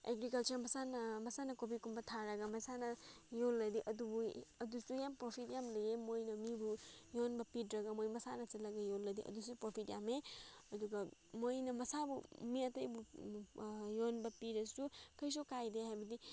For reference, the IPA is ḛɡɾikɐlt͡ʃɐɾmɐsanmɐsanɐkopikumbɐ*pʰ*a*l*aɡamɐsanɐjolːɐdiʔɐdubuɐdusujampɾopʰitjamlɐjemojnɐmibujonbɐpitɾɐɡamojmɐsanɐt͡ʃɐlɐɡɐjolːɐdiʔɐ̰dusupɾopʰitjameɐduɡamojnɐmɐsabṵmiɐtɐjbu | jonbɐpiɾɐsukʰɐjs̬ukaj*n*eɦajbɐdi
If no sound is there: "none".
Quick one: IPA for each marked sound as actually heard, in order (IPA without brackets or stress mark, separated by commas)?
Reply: tʰ, ɾ, d